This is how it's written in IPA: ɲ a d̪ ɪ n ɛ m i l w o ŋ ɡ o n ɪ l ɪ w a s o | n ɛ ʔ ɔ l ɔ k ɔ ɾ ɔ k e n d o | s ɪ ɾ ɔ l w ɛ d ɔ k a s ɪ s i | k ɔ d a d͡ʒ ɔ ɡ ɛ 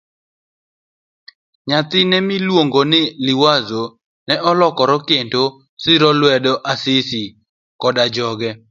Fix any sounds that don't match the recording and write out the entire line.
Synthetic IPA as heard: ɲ a t̪ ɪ n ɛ m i l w o ŋ ɡ o n ɪ l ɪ w a z o | n ɛ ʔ ɔ l ɔ k ɔ ɾ ɔ k e n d o | s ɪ ɾ ɔ l w ɛ d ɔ ʔ a s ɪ s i | k ɔ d a d͡ʒ ɔ ɡ ɛ